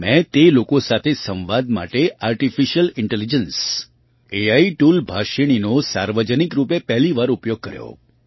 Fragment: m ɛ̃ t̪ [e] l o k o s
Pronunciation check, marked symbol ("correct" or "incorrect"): correct